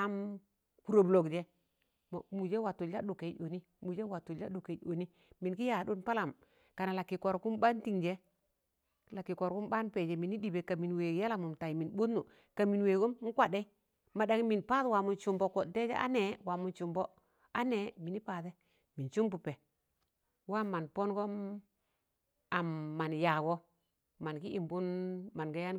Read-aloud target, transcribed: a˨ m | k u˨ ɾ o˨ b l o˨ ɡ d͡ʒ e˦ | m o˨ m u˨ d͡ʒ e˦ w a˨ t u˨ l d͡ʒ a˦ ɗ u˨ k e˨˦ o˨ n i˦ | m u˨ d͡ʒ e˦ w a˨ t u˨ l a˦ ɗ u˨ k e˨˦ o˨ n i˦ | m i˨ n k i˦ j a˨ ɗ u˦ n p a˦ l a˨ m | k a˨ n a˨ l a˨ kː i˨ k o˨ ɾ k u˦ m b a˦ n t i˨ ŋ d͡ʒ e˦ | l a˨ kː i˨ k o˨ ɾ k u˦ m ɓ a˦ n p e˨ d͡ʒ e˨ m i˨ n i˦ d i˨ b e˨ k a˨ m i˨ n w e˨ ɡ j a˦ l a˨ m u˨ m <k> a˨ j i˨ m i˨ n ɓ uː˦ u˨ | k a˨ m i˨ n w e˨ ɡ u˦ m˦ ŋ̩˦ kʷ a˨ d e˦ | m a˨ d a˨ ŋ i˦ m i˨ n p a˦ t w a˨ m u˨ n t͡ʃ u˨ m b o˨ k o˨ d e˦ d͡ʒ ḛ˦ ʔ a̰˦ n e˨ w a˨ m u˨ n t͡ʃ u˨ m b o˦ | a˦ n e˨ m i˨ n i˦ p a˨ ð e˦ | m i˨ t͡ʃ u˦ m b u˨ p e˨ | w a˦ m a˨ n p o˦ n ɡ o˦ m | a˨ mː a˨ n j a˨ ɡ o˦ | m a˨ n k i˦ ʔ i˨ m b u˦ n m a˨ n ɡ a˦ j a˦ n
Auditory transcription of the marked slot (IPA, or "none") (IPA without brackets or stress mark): t